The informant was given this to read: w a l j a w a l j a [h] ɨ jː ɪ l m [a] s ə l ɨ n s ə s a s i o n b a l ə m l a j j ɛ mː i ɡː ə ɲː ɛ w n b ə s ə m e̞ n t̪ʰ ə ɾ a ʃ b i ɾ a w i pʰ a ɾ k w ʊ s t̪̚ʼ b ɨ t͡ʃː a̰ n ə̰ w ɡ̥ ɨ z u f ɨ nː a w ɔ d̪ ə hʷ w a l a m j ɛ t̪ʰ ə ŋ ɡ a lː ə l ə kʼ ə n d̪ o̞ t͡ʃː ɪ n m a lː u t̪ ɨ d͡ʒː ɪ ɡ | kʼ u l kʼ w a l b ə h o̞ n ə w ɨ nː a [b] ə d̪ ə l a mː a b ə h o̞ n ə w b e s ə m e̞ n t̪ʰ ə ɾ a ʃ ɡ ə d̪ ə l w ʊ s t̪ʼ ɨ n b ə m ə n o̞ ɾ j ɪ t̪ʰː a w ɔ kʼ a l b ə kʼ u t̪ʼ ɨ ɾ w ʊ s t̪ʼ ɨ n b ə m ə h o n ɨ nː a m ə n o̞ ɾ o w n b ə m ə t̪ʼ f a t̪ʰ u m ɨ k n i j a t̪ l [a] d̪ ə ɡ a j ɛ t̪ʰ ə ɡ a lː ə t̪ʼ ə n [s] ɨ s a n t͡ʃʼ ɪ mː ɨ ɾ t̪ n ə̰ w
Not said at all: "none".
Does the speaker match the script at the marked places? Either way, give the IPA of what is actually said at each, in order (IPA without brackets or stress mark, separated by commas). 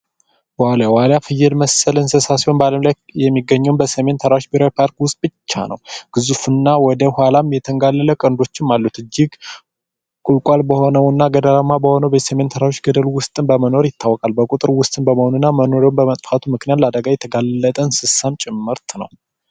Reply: f, ə, ɡ, a, s